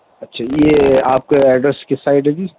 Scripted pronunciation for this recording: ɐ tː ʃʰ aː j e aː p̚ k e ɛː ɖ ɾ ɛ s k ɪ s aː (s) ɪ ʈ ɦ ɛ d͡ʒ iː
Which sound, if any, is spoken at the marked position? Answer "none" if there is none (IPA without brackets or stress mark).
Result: none